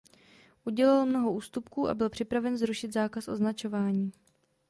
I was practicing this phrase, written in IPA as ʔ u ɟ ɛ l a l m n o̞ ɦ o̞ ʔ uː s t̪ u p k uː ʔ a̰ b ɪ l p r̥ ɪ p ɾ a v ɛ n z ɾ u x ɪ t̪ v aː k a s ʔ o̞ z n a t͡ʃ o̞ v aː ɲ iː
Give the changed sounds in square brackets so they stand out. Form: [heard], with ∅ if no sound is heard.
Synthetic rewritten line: ʔ u ɟ ɛ l a l m n o̞ ɦ o̞ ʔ uː s t̪ u p k uː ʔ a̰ b ɪ l p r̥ ɪ p ɾ a v ɛ n z ɾ u [ʃ] ɪ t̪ [z] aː k a s ʔ o̞ z n a t͡ʃ o̞ v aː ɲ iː